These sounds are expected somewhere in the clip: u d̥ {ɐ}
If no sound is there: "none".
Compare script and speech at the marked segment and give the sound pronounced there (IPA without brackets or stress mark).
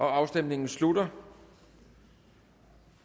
ɐ